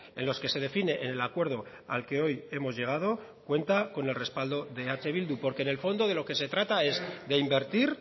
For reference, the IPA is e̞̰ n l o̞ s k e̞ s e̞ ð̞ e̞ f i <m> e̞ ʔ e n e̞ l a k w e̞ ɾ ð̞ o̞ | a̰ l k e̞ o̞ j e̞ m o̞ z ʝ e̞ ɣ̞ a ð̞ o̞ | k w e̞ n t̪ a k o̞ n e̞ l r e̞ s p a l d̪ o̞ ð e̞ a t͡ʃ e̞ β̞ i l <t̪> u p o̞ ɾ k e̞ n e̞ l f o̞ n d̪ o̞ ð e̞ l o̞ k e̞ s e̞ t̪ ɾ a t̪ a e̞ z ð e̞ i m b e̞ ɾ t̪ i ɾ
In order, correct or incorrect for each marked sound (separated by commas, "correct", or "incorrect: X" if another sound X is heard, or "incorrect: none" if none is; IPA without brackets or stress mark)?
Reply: incorrect: n, incorrect: d̪